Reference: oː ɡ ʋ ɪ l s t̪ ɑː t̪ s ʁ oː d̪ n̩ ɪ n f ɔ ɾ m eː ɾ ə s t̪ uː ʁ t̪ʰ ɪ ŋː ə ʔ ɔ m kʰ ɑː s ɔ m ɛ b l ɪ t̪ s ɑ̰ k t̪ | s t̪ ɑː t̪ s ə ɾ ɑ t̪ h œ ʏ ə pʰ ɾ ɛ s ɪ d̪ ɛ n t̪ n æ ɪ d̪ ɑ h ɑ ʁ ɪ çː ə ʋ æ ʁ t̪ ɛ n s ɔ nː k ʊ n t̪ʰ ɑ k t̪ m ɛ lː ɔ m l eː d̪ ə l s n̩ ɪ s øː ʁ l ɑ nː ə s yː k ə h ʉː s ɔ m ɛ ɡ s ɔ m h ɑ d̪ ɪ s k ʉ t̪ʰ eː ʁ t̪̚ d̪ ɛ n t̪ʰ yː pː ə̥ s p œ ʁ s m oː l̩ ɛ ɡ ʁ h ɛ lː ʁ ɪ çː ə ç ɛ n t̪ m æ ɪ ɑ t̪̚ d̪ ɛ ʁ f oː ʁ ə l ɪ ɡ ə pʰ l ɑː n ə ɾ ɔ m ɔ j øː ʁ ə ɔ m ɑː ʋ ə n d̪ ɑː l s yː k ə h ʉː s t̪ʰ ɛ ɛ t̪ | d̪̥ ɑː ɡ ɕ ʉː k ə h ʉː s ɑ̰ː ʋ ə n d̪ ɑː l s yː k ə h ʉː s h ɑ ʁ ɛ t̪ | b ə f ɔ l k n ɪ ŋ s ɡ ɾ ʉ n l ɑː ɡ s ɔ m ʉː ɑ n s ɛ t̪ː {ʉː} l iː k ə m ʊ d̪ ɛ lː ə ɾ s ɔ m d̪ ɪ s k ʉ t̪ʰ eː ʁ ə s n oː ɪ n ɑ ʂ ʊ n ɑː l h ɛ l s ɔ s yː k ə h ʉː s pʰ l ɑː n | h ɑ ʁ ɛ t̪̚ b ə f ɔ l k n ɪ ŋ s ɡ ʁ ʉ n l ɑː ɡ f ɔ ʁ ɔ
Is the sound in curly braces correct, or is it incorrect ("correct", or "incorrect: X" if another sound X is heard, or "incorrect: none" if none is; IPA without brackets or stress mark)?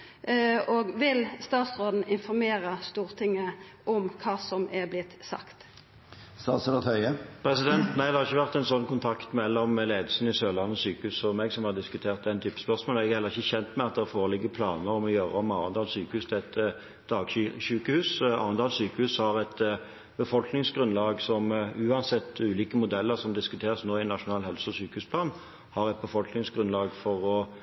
correct